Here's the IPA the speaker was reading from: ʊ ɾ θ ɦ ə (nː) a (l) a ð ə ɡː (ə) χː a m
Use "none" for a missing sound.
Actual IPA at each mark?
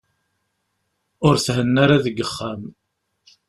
nː, ɾ, ə

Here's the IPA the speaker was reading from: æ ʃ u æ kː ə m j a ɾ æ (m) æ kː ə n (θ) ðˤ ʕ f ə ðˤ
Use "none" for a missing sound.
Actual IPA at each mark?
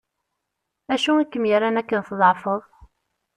n, θ

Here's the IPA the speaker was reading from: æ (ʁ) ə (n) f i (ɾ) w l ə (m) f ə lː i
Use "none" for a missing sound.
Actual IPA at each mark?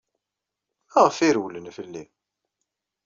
ʁ, none, ɾ, n

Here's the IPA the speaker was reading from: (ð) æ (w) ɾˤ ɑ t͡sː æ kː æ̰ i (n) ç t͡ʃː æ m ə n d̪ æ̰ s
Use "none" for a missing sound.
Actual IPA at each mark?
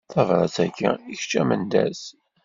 θ, v, none

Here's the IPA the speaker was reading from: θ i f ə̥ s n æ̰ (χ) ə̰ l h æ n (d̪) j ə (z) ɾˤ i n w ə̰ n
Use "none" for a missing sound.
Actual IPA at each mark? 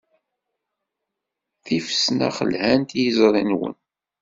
χ, t̪, z

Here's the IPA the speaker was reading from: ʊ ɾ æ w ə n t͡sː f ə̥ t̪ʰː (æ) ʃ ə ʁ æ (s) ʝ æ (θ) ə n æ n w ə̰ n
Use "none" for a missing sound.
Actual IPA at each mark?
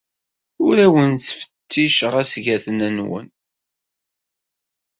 i, s, θ

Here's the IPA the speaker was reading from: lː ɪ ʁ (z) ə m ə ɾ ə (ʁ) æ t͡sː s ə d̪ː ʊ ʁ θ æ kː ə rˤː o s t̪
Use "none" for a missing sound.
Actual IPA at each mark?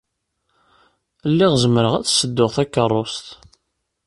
z, ʁ

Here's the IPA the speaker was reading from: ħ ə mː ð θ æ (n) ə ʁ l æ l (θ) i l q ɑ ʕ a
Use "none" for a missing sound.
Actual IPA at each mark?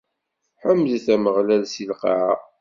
m, s

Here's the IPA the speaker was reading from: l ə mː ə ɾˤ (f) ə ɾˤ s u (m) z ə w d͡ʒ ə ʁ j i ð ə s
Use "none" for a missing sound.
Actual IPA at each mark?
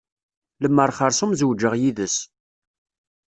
χ, m

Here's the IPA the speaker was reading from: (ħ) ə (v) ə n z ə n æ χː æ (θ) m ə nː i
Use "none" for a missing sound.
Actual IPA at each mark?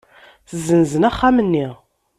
θ, z, none

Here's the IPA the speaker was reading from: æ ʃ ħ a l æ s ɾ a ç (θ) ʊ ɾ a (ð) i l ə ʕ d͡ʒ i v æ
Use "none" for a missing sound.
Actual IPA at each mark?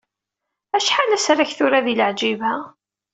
θ, ð

